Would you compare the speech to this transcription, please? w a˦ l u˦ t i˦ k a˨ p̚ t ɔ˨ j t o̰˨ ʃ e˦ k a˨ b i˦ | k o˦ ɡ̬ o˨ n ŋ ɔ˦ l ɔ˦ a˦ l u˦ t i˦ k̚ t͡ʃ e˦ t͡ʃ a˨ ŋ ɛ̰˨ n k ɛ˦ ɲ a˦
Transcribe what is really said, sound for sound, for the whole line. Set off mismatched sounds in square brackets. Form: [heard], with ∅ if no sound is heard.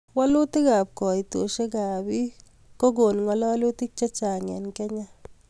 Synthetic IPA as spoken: w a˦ l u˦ t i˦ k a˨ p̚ [k] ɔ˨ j t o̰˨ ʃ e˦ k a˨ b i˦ | k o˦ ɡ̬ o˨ n ŋ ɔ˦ l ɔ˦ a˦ l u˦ t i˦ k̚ t͡ʃ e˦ t͡ʃ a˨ ŋ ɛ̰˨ n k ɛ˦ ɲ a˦